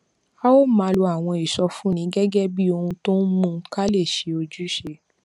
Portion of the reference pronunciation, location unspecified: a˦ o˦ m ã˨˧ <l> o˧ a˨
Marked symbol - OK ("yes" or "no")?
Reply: yes